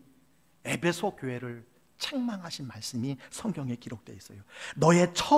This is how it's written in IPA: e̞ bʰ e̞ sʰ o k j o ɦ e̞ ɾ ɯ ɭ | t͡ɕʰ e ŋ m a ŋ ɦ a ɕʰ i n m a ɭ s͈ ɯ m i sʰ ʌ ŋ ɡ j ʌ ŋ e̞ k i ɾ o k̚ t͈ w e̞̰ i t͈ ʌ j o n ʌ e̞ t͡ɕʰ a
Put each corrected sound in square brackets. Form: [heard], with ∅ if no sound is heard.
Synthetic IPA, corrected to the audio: e̞ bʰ e̞ sʰ o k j o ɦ e̞ ɾ ɯ ɭ | t͡ɕʰ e ŋ m a ŋ ɦ a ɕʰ i n m a ɭ s͈ ɯ m i sʰ ʌ ŋ ɡ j ʌ ŋ e̞ k i ɾ o k̚ t͈ w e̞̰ i [s͈] ʌ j o n ʌ e̞ t͡ɕʰ [ʌ]